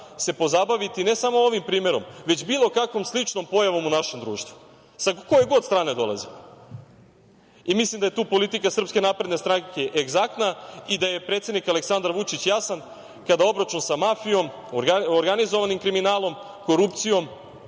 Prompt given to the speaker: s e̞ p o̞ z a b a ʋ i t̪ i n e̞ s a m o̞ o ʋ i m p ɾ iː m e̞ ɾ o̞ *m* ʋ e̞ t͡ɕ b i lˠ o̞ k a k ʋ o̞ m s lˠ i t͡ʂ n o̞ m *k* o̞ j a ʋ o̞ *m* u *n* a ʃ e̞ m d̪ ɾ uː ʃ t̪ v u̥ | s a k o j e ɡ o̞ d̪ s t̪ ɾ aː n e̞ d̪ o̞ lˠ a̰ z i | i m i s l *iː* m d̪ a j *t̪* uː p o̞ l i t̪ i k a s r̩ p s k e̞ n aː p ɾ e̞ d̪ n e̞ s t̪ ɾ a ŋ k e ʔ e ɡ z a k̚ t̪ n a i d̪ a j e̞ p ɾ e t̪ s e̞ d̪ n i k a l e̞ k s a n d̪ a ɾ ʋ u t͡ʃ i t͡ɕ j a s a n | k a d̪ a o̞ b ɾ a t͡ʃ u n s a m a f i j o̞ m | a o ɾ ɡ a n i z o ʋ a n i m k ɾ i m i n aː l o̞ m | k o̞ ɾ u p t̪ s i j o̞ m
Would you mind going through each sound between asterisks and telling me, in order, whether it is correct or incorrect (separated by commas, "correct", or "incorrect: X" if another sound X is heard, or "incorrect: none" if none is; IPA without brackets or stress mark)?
correct, incorrect: p, correct, correct, incorrect: i, correct